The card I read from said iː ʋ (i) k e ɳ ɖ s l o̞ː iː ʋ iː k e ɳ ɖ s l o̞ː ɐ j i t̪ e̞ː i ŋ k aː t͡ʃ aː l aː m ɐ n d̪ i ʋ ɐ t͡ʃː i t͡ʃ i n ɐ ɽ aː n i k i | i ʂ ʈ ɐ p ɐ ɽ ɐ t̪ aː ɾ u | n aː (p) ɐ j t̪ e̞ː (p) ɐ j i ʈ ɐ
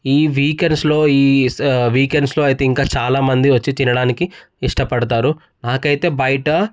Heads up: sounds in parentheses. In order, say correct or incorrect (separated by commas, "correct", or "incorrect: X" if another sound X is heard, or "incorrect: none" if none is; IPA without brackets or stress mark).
incorrect: iː, incorrect: k, incorrect: b